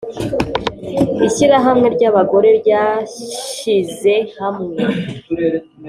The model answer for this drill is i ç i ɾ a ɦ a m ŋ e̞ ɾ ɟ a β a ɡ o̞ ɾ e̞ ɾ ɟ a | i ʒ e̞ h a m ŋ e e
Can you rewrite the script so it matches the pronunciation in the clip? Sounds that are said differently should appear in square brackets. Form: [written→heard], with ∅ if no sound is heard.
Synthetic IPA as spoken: i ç i ɾ a ɦ a m ŋ e̞ ɾ ɟ a β a ɡ o̞ ɾ e̞ ɾ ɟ a | i [ʒ→z] e̞ h a m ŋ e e